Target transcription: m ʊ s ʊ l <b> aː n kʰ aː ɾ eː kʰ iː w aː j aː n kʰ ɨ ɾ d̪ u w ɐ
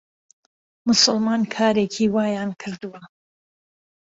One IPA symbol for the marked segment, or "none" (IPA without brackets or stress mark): m